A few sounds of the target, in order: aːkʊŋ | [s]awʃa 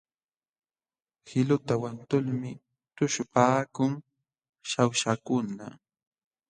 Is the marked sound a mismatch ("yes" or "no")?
yes